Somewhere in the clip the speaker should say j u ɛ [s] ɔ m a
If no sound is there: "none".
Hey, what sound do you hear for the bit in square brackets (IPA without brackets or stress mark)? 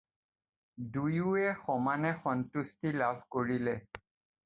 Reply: x